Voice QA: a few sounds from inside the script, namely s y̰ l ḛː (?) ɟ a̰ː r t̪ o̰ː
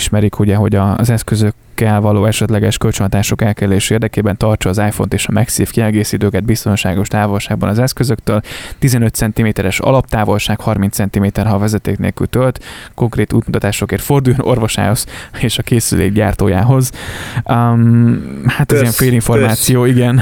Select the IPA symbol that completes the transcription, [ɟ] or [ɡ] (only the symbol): ɡ